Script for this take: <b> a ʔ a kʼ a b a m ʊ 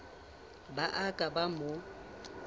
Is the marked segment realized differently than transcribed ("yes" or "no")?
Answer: no